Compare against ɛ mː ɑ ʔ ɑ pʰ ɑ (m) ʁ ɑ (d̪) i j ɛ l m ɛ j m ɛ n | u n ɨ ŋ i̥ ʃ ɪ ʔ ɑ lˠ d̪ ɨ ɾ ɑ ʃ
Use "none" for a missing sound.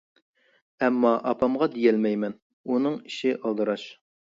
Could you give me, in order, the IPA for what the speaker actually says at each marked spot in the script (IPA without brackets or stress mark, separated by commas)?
m, d̪